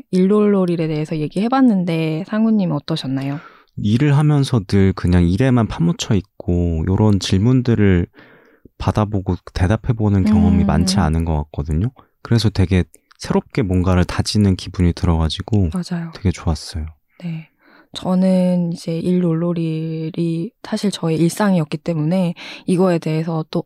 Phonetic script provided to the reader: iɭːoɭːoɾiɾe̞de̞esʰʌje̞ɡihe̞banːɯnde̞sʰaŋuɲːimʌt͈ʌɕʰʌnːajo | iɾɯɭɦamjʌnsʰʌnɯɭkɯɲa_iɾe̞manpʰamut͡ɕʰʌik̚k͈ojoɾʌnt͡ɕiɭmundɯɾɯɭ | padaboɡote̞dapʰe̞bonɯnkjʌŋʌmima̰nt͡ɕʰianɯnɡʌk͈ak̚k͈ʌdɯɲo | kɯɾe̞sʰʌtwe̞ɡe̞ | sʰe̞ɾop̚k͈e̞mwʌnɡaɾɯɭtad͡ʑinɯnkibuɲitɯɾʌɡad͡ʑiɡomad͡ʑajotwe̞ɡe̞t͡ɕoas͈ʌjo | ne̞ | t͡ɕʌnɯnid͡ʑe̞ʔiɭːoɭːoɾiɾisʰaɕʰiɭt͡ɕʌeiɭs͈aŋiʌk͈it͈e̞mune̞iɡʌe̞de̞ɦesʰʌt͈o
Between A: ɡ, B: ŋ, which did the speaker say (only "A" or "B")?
B